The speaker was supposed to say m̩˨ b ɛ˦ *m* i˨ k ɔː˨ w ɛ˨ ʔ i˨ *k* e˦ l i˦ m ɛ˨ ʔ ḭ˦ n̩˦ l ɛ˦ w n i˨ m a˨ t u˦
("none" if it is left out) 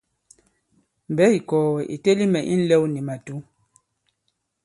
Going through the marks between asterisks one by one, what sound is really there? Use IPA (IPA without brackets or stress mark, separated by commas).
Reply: none, t